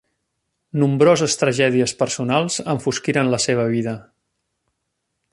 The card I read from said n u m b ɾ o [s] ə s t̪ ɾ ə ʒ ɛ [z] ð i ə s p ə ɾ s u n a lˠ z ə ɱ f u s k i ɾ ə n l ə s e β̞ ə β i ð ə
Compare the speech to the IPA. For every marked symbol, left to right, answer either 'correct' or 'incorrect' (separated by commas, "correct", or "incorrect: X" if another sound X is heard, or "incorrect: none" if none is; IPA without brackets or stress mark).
incorrect: z, incorrect: none